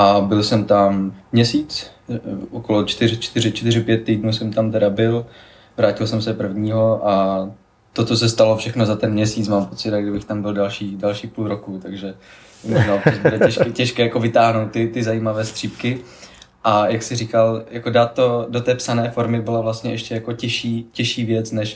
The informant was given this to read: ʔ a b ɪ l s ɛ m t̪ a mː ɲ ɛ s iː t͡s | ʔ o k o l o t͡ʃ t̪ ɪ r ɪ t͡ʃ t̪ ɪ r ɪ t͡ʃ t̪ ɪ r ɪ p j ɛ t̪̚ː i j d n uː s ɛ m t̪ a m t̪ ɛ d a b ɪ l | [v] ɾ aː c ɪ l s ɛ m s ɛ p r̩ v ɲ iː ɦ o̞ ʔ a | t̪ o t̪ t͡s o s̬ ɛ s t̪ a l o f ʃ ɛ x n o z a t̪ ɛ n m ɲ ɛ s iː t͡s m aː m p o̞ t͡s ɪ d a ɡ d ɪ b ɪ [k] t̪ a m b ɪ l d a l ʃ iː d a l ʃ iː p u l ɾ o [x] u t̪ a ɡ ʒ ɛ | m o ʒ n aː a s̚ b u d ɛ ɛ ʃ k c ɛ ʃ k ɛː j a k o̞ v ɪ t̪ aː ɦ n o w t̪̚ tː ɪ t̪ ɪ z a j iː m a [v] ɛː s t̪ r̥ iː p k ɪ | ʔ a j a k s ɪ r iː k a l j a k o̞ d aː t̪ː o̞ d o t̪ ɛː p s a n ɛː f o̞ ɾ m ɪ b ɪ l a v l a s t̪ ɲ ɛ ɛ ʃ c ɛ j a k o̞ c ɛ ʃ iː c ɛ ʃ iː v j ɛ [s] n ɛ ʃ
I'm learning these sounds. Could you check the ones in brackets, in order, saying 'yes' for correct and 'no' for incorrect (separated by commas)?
yes, no, no, yes, no